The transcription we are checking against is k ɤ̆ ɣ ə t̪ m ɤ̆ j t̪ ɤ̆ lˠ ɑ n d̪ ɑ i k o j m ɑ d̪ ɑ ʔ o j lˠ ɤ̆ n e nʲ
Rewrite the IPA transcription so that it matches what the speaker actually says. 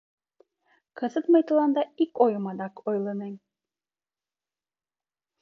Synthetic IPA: k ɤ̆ z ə t̪ m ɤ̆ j t̪ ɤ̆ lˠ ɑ n d̪ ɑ i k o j m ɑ d̪ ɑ k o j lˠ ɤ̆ n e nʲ